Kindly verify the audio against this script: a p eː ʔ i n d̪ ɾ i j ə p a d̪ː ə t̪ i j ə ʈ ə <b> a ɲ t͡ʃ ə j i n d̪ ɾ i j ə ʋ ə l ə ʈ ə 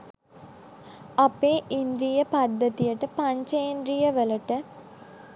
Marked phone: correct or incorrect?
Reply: incorrect